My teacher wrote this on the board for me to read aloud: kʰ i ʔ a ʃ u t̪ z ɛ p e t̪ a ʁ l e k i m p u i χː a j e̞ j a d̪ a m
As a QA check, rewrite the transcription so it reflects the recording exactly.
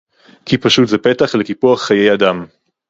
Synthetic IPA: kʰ i p a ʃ u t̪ z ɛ p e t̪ a χ l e k i p u a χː a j e̞ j a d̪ a m